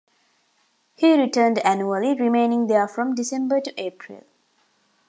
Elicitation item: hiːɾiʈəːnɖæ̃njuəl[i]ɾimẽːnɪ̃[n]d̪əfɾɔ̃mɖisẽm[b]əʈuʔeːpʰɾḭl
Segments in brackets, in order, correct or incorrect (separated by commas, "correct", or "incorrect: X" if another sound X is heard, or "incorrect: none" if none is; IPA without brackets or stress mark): correct, incorrect: ŋ, correct